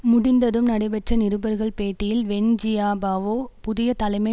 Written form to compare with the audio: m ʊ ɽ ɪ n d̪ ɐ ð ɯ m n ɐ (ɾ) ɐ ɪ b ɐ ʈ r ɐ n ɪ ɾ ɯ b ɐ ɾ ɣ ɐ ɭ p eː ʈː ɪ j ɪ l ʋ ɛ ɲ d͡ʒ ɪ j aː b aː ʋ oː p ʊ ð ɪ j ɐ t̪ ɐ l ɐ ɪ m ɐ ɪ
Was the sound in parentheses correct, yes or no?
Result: no